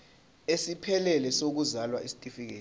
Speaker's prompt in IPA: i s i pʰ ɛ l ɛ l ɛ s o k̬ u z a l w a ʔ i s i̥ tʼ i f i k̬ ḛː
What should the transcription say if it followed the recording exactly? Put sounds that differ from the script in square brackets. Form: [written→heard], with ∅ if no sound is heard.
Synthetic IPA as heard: [i→e] s i pʰ ɛ l ɛ l ɛ s o k̬ u z a l w a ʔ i s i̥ tʼ i f i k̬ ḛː